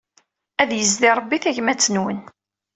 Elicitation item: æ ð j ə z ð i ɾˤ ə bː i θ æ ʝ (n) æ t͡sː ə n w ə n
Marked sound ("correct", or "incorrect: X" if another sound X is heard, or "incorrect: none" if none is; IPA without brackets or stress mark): incorrect: m